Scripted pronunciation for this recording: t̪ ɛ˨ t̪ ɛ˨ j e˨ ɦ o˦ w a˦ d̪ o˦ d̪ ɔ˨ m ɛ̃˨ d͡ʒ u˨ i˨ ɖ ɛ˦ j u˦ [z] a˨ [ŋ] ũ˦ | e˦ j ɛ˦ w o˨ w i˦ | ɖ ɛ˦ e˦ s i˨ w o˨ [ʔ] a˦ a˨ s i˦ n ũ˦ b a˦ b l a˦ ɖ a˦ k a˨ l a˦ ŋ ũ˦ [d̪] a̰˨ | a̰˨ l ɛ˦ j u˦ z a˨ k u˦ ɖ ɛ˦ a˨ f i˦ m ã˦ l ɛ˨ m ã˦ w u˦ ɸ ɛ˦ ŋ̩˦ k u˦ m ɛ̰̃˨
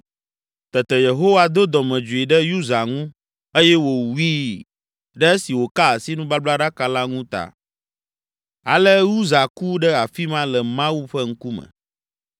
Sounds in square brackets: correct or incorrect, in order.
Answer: correct, correct, incorrect: k, incorrect: t̪

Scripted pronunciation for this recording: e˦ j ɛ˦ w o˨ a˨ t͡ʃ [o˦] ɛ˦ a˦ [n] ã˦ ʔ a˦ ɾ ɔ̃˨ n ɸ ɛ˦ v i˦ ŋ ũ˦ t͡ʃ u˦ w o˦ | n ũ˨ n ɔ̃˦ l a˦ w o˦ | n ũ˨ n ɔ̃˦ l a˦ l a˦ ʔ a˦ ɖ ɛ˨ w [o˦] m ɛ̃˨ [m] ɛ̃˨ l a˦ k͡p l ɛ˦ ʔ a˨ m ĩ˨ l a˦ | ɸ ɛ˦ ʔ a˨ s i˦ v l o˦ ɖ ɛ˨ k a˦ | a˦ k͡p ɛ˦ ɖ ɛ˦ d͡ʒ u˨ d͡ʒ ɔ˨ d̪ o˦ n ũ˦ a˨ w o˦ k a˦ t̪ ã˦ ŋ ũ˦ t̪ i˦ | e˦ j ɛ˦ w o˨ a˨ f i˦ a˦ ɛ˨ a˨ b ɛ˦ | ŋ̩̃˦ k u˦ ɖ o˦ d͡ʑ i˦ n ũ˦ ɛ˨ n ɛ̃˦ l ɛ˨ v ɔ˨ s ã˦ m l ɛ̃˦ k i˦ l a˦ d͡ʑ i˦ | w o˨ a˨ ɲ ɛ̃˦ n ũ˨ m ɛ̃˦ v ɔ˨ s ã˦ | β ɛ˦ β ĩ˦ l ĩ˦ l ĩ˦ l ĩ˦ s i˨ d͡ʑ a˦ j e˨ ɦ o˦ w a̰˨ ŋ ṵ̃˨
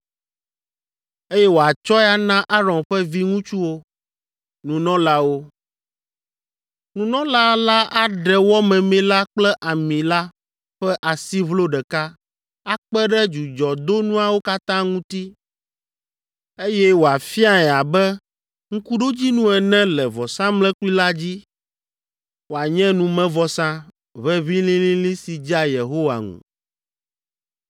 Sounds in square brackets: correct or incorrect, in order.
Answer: incorrect: ɔ˦, correct, incorrect: ɔ˦, correct

